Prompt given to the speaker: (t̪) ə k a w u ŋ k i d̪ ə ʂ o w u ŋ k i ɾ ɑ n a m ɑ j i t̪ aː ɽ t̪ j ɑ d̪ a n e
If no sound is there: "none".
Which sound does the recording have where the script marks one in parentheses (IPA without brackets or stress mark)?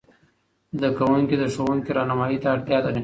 d̪